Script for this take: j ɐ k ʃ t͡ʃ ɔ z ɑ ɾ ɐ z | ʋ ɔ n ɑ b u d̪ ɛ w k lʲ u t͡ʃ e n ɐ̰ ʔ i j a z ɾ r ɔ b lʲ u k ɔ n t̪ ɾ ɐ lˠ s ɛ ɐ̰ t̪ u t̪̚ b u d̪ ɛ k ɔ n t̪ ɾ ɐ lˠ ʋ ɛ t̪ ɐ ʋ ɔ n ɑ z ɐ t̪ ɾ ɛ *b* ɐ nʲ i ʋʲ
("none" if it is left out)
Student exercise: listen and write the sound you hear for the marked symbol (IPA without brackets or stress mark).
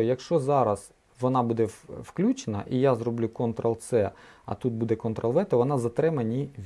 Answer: m